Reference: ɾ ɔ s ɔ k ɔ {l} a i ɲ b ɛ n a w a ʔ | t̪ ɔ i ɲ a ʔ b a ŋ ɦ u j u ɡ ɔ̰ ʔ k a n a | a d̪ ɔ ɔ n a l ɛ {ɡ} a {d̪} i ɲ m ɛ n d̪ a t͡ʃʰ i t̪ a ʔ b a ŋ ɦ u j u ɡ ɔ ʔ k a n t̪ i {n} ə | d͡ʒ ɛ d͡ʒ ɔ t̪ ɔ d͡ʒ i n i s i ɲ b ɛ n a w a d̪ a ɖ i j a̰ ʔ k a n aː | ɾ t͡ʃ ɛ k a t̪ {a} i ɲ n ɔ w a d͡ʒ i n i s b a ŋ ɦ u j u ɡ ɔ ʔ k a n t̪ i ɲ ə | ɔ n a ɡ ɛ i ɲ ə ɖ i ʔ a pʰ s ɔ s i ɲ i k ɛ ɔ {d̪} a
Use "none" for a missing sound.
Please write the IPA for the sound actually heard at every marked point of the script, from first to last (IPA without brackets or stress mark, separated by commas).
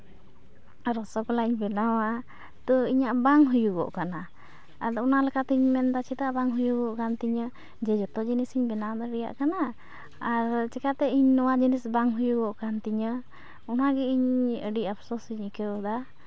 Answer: l, k, t̪, ɲ, ɛ, d̪